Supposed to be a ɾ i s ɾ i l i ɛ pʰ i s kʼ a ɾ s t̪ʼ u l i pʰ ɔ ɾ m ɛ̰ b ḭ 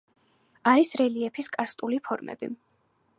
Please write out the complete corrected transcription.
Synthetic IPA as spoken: a ɾ i s ɾ ɛ l i ɛ pʰ i s kʼ a ɾ s t̪ʼ u l i pʰ ɔ ɾ m ɛ̰ b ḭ

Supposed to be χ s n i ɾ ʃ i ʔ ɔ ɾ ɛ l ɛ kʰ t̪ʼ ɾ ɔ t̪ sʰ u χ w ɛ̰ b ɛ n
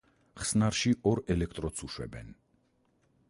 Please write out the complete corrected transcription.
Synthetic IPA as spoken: χ s n a ɾ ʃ i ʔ ɔ ɾ ɛ l ɛ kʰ t̪ʼ ɾ ɔ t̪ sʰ u ʃ w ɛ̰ b ɛ n

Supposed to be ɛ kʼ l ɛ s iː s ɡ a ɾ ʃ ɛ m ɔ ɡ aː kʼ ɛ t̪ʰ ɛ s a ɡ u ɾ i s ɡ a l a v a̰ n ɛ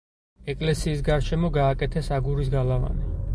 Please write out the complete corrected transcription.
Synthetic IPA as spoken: ɛ kʼ l ɛ s iː s ɡ a ɾ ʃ ɛ m ɔ ɡ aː kʼ ɛ t̪ʰ ɛ s a ɡ u ɾ i s ɡ a l a v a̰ n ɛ

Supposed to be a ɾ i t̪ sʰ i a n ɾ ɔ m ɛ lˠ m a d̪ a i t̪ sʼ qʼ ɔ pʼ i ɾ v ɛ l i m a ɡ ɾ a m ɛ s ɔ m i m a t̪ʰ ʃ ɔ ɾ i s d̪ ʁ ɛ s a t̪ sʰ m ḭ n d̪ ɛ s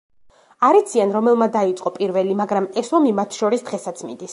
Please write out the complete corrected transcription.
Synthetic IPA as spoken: a ɾ i t̪ sʰ i a n ɾ ɔ m ɛ lˠ m a d̪ a i t̪ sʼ qʼ ɔ pʼ i ɾ v ɛ l i m a ɡ ɾ a m ɛ s ɔ m i m a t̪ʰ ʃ ɔ ɾ i s d̪ ʁ ɛ s a t̪ sʰ m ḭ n d̪ i s

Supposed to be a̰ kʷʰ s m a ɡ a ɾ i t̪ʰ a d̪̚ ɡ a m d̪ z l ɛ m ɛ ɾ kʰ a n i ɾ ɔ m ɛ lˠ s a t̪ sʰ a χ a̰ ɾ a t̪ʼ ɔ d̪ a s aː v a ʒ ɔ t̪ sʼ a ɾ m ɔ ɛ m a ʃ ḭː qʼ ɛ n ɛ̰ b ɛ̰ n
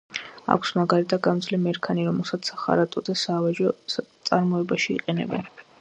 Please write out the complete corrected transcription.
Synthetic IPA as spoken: a̰ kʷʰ s m a ɡ a ɾ i t̪ʰ a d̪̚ ɡ a m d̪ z l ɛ m ɛ ɾ kʰ a n i ɾ ɔ m ɛ lˠ s a t̪ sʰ a χ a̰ ɾ a t̪ʼ ɔ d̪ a s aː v a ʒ ɔ t̪ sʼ a ɾ m ɔ ɛ b a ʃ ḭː qʼ ɛ n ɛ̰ b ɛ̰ n

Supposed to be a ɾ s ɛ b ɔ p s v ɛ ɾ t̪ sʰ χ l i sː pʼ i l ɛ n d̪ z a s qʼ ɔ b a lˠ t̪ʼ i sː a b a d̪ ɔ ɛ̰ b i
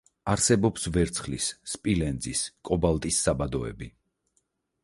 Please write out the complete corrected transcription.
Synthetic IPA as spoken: a ɾ s ɛ b ɔ p s v ɛ ɾ t̪ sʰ χ l i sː pʼ i l ɛ n d̪ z i s kʼ ɔ b a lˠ t̪ʼ i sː a b a d̪ ɔ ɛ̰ b i

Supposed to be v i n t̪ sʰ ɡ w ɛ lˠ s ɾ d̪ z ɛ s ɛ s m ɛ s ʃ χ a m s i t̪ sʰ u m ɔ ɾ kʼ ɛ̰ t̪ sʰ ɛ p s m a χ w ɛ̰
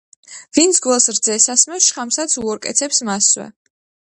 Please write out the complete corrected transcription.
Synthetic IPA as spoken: v i n t̪ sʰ ɡ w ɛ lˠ s ɾ d̪ z ɛ s a s m ɛ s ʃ χ a m s a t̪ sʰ u ɔ ɾ kʼ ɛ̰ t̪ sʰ ɛ p s m a s w ɛ̰

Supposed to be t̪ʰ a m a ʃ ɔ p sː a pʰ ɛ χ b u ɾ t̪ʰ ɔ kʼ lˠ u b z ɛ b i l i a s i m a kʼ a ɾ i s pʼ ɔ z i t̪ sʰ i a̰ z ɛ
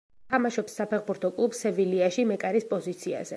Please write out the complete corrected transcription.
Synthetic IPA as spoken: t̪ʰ a m a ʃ ɔ p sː a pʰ ɛ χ b u ɾ t̪ʰ ɔ kʼ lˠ u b s ɛ v i l i a ʃ i m ɛ kʼ a ɾ i s pʼ ɔ z i t̪ sʰ i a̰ z ɛ

